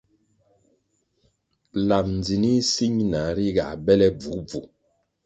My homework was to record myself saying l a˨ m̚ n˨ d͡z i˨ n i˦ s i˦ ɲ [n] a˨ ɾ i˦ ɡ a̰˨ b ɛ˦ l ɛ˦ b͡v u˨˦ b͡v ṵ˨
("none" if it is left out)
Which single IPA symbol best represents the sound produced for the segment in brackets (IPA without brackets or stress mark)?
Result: n